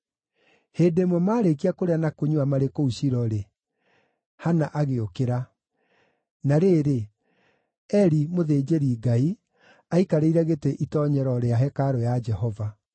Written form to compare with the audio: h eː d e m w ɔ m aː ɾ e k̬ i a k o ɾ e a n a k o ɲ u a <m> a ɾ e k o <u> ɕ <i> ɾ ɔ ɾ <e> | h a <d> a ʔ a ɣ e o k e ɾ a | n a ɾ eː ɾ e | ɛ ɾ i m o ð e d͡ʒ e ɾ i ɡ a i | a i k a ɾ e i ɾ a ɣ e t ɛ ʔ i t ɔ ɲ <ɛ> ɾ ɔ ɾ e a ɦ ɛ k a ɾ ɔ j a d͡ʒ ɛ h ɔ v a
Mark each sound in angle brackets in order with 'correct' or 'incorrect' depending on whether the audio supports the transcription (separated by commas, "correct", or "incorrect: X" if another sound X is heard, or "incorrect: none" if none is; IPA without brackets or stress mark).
correct, correct, correct, correct, incorrect: n, correct